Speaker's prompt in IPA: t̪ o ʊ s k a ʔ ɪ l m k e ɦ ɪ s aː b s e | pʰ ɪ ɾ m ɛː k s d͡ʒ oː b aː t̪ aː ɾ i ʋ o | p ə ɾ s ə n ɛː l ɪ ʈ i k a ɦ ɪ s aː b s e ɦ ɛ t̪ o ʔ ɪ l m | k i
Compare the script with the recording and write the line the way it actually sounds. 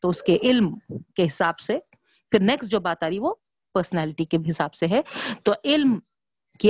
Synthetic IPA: t̪ o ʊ s k e ʔ ɪ l m k e ɦ ɪ s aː b s e | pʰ ɪ ɾ n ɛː k s d͡ʒ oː b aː t̪ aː ɾ i ʋ o | p ə ɾ s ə n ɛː l ɪ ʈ i k e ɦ ɪ s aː b s e ɦ ɛ t̪ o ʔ ɪ l m | k i